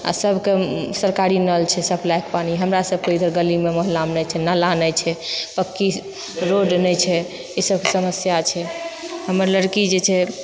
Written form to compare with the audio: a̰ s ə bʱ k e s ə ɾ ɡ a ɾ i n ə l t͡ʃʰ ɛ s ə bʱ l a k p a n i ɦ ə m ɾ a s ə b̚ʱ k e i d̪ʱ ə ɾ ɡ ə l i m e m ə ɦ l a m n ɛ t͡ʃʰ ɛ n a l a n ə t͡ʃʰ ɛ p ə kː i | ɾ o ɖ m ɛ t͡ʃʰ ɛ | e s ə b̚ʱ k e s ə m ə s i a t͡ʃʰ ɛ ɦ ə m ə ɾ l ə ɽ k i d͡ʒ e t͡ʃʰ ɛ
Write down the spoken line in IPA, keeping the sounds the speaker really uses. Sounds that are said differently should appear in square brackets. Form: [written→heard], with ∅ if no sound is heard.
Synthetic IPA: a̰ s ə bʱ k e s ə ɾ [ɡ→k] a ɾ i n ə l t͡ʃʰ ɛ s ə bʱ l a k p a n i ɦ ə m ɾ a s ə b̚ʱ k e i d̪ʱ ə ɾ ɡ ə l i m e m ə ɦ l a m n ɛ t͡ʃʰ ɛ n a l a n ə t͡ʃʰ ɛ p ə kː i | ɾ o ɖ [m→n] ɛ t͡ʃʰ ɛ | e s ə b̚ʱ k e s ə m ə s [i→j] a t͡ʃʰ ɛ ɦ ə m ə ɾ l ə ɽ k i d͡ʒ e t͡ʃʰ ɛ